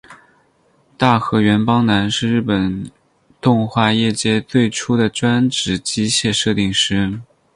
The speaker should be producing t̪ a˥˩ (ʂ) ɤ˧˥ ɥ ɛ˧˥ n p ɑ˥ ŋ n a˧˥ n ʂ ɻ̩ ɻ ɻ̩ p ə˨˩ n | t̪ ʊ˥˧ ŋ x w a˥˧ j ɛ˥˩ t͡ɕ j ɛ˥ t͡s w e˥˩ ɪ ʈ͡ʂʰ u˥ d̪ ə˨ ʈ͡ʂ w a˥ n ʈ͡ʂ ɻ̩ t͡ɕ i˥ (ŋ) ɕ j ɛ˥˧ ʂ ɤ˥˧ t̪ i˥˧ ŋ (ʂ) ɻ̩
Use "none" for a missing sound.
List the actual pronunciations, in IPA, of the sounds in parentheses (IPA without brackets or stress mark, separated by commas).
x, none, ʂ